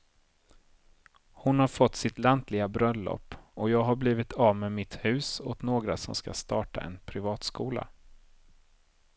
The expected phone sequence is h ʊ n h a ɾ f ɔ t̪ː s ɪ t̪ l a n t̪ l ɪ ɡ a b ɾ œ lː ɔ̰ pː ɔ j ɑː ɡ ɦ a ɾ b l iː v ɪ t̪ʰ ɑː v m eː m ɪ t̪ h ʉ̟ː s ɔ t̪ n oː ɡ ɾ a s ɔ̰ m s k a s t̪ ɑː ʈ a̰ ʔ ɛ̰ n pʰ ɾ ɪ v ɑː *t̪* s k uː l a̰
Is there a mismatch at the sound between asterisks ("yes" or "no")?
no